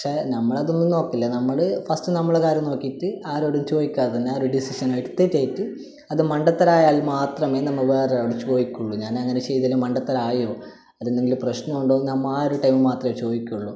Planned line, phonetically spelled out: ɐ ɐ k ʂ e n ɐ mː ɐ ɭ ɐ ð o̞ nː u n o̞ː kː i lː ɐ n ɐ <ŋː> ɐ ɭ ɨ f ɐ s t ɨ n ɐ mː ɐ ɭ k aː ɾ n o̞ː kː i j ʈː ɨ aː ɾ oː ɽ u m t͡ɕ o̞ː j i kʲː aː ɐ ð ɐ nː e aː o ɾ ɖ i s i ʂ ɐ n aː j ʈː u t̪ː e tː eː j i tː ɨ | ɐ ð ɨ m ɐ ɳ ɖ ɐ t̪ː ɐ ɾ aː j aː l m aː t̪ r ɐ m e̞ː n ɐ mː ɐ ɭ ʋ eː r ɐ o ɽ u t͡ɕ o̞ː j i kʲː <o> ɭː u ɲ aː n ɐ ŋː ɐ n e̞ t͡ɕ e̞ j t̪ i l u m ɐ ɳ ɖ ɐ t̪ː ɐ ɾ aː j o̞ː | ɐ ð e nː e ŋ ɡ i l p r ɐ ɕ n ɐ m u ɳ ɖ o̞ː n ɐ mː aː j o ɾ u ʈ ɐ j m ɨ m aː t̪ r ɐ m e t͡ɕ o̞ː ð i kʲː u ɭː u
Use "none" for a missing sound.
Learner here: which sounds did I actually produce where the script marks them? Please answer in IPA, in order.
mː, u

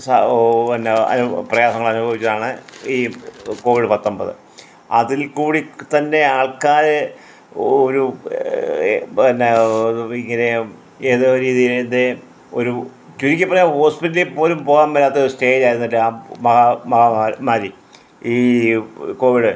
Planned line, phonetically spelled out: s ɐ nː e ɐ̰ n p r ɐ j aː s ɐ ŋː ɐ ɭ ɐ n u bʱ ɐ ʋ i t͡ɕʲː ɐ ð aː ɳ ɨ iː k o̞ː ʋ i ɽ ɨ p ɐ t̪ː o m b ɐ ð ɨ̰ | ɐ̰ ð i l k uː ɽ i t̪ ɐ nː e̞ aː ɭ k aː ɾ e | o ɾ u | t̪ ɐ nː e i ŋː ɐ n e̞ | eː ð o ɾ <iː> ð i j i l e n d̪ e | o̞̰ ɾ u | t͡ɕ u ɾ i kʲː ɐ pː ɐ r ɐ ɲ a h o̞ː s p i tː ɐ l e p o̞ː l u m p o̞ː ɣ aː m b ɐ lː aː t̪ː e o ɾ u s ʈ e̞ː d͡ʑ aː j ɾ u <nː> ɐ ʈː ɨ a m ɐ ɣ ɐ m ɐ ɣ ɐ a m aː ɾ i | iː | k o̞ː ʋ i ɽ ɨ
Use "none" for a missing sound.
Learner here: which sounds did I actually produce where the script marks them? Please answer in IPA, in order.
iː, nː

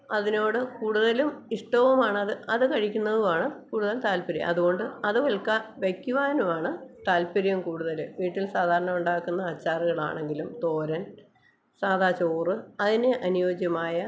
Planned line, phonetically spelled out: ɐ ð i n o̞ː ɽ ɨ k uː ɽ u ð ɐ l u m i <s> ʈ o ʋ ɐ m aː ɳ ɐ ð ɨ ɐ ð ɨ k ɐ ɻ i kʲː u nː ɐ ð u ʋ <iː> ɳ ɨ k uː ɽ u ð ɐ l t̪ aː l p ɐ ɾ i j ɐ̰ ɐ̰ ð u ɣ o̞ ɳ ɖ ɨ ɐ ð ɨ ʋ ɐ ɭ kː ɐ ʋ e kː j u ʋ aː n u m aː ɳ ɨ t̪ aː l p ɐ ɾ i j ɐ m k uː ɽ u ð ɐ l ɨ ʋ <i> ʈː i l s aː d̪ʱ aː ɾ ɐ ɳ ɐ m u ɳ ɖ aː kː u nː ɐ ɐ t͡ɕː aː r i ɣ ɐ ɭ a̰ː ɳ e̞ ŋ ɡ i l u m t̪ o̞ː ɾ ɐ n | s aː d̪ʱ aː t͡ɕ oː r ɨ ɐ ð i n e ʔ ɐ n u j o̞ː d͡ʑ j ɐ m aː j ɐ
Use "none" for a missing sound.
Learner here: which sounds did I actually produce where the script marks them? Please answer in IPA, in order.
ʂ, aː, iː

